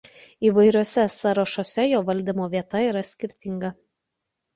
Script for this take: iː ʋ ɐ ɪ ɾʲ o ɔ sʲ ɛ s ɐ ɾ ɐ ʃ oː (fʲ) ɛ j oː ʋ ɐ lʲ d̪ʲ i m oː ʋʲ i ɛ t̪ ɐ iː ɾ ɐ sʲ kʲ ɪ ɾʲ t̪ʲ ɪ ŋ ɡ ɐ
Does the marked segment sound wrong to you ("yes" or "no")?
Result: yes